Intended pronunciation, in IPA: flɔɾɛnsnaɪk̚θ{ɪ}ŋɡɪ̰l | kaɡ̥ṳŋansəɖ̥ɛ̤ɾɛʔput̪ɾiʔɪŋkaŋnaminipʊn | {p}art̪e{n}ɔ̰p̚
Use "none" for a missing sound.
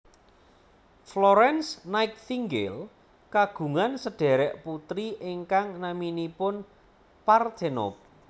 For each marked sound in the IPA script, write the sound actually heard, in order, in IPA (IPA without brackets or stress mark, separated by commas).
i, p, n